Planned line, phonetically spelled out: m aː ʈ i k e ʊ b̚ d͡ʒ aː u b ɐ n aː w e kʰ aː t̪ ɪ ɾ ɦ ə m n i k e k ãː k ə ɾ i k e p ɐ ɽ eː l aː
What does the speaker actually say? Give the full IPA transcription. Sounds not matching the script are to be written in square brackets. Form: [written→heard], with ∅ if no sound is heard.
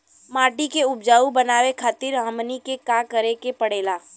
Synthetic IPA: m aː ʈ i k e ʊ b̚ d͡ʒ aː u b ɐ n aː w e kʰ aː t̪ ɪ ɾ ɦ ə m n i k e k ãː k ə ɾ [i→e] k e p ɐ ɽ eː l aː